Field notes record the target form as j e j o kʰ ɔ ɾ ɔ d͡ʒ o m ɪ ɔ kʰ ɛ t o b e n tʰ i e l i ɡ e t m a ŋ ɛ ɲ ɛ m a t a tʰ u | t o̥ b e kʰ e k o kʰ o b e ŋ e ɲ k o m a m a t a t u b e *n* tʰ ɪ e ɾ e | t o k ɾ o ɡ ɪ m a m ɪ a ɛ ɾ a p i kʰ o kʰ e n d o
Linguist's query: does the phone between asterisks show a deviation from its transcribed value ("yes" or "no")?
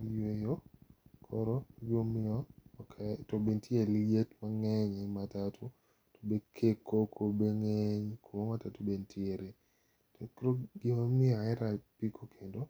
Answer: no